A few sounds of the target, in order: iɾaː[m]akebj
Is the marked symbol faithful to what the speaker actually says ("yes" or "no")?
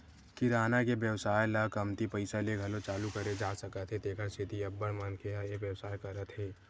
no